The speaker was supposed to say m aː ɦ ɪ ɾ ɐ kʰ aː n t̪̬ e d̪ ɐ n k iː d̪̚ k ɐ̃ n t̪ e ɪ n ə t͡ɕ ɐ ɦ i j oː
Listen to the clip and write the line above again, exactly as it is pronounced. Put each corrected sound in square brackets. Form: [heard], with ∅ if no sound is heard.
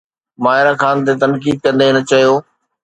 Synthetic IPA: m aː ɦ ɪ ɾ [a] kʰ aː n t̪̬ e [t̪] ɐ n k iː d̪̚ k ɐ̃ n [d̪] e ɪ n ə t͡ɕ ɐ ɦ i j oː